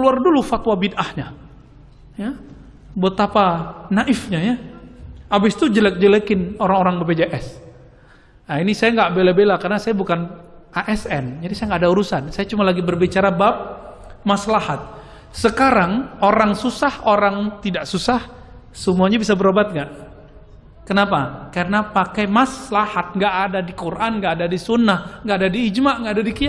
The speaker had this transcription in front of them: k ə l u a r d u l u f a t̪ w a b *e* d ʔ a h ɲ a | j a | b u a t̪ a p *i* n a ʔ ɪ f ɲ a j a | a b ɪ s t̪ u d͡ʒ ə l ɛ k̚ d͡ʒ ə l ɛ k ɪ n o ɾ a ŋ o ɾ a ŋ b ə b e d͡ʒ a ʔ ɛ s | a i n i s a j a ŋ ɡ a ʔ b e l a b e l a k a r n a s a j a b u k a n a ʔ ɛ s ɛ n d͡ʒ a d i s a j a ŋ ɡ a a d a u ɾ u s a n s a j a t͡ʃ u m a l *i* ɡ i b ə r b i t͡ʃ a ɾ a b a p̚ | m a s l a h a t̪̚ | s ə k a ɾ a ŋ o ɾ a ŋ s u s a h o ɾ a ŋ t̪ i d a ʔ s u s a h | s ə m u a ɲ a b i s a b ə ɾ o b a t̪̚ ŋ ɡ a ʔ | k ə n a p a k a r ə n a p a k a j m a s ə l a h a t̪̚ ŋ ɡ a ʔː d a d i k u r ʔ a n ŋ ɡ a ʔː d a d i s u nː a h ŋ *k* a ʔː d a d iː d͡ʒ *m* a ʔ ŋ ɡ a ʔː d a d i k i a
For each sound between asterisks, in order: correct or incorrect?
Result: incorrect, incorrect, incorrect, incorrect, correct

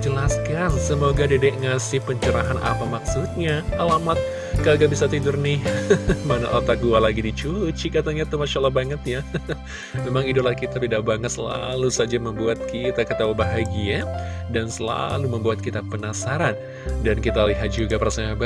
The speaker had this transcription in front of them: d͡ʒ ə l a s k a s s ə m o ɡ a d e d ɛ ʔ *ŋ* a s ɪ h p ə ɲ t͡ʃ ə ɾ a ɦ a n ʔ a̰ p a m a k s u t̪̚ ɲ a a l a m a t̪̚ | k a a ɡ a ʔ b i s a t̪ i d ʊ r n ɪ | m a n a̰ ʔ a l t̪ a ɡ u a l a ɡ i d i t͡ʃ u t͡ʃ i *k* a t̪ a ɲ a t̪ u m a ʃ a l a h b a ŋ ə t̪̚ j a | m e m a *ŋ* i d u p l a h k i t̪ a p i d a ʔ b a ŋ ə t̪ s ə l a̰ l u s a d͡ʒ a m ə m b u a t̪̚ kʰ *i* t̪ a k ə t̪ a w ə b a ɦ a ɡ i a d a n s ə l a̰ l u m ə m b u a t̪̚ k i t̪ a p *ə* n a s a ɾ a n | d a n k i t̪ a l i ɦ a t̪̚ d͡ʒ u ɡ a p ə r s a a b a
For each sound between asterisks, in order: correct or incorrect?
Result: correct, correct, correct, correct, correct

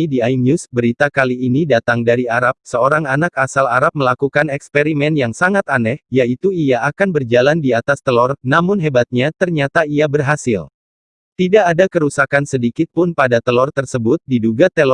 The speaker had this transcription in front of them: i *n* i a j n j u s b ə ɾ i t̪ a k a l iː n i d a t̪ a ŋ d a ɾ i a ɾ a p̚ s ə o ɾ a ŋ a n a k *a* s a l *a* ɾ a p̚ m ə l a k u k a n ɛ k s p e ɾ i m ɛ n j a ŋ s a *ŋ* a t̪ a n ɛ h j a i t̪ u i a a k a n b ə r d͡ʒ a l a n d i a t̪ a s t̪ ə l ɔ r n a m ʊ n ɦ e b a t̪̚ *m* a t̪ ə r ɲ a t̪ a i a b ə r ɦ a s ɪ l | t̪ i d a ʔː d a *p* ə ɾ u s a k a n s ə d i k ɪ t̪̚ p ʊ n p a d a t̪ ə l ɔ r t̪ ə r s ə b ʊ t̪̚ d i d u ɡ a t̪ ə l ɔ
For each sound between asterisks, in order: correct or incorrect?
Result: incorrect, correct, correct, correct, incorrect, incorrect

